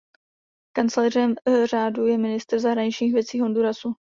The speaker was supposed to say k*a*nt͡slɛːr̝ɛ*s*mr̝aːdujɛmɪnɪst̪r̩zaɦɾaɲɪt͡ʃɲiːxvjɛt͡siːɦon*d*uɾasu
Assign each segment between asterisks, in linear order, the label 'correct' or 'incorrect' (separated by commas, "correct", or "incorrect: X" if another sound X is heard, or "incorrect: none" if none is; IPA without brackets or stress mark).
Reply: correct, incorrect: none, correct